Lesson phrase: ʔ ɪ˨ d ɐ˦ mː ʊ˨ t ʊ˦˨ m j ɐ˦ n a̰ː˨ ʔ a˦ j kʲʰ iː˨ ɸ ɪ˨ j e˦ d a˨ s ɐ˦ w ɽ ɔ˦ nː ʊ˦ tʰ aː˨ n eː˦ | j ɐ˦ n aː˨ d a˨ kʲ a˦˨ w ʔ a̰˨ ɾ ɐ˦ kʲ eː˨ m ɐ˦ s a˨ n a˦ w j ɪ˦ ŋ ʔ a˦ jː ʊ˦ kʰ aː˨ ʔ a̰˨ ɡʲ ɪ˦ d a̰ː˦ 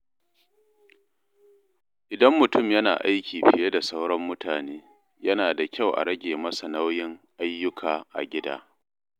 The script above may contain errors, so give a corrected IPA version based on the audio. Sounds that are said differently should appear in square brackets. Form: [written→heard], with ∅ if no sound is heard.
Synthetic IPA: ʔ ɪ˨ d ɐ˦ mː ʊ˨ t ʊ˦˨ m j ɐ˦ n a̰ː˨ ʔ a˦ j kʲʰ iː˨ ɸ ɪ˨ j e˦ d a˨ s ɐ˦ w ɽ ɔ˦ [nː→mː] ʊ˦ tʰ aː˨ n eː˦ | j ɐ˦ n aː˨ d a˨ kʲ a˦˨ w ʔ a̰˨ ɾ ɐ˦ [kʲ→ɡʲ] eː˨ m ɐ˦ s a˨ n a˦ w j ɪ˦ ŋ ʔ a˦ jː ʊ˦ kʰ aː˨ ʔ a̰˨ ɡʲ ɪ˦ d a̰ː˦